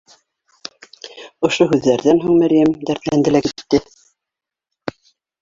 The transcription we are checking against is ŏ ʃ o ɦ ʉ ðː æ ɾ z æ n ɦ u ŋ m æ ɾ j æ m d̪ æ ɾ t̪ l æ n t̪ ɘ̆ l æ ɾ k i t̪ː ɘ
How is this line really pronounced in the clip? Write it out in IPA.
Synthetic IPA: ŏ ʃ o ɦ ʉ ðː æ ɾ ð æ n ɦ u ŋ m æ ɾ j æ m d̪ æ ɾ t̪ l æ n d̪ ɘ̆ l æ k i t̪ː ɘ